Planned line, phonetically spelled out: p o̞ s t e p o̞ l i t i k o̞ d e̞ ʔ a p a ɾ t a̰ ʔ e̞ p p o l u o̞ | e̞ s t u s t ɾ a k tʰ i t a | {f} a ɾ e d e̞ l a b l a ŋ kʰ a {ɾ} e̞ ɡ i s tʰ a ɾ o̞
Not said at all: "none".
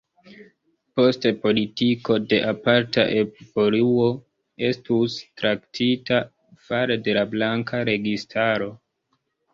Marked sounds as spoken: f, ɾ

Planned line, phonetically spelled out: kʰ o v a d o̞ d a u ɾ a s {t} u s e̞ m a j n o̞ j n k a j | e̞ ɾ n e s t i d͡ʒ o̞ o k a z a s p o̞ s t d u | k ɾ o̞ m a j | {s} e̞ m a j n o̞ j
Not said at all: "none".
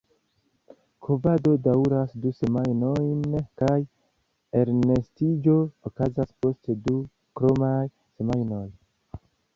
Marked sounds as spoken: d, s

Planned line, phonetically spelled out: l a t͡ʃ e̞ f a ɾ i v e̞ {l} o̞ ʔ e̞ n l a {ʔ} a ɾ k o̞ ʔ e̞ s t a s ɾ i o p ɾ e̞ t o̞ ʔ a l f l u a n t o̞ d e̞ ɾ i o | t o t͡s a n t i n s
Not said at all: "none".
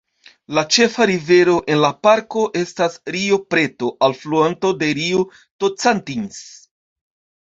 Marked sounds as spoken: ɾ, p

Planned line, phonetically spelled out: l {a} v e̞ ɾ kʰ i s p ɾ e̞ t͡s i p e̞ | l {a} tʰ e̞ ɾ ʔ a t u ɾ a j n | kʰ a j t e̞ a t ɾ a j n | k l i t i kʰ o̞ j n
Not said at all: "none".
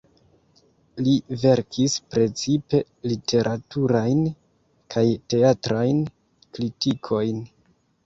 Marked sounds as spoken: i, i

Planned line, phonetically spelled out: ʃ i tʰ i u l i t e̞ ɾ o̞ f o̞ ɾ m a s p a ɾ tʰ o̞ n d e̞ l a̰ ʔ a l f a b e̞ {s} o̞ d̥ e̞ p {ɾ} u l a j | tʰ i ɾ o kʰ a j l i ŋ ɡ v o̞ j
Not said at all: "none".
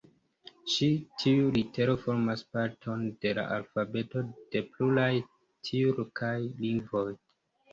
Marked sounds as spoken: t, l

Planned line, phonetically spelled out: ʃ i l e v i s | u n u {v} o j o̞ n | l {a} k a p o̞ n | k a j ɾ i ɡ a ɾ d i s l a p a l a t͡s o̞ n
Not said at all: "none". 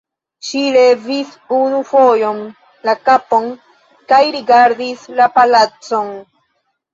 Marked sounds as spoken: f, a

